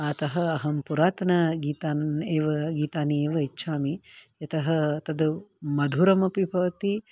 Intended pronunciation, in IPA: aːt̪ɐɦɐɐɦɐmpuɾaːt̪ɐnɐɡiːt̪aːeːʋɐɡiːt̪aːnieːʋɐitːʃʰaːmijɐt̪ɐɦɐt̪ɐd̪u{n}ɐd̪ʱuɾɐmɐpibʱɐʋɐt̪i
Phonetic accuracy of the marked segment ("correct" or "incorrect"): incorrect